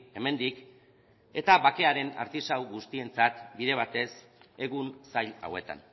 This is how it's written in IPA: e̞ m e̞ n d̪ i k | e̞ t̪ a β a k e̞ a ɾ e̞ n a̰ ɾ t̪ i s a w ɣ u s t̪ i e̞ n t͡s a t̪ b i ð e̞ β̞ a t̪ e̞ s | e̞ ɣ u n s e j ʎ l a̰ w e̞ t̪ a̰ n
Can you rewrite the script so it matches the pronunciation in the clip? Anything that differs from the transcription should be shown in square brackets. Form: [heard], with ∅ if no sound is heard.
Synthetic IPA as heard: e̞ m e̞ n d̪ i k | e̞ t̪ a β a k e̞ a ɾ e̞ n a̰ ɾ t̪ i s a w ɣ u s t̪ i e̞ n t͡s a t̪ b i ð e̞ β̞ a t̪ e̞ s | e̞ ɣ u n s [a] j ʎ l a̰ w e̞ t̪ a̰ n